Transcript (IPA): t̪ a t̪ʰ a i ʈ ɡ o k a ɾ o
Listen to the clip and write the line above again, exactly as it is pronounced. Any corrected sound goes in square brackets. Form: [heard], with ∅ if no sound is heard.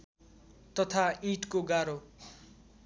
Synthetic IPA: t̪ [ʌ] t̪ʰ a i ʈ [k] o [ɡ] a ɾ o